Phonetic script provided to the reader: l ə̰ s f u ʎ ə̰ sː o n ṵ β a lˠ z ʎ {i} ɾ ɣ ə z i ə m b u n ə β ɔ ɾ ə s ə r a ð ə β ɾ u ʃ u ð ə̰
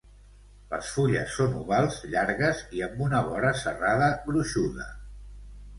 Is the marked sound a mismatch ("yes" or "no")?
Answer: yes